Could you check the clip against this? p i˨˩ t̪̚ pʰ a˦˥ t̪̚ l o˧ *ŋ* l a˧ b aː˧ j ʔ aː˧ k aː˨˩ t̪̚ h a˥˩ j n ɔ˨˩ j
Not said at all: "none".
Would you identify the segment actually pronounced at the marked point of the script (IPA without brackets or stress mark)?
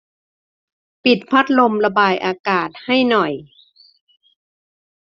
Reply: m